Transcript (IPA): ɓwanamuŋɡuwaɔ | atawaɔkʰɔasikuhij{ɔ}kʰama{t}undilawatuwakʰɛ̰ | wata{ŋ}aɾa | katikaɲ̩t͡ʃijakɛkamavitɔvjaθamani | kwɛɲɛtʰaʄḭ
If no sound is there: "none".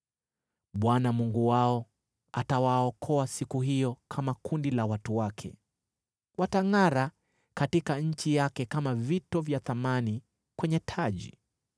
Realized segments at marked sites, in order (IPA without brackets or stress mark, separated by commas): ɔ, k, ŋ